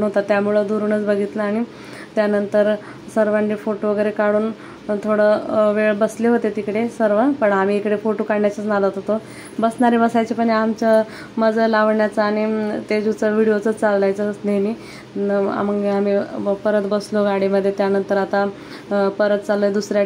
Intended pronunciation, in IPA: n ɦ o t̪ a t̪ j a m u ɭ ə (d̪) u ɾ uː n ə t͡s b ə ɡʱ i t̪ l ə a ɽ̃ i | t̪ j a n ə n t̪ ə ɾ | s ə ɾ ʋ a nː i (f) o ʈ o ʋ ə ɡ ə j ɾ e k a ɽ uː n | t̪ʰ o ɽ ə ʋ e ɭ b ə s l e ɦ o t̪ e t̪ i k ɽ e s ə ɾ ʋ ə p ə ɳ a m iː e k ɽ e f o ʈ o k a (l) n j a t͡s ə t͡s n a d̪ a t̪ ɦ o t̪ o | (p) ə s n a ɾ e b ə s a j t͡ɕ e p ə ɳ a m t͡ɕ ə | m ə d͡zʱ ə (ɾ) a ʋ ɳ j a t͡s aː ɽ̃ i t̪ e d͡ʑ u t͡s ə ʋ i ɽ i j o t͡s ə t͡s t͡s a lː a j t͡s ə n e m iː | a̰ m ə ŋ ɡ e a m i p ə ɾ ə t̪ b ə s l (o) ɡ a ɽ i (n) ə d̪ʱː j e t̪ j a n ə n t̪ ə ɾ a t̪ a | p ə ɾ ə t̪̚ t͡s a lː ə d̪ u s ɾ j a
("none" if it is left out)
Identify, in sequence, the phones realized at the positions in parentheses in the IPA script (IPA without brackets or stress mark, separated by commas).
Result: d̪, f, ɽ, b, l, o, m